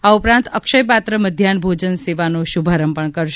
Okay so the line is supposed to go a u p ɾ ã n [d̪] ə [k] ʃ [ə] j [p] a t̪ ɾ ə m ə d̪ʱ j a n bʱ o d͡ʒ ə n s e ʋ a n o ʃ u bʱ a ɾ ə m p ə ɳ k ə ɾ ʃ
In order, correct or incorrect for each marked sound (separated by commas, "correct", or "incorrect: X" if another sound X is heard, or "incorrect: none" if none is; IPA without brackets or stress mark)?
incorrect: t̪, correct, correct, correct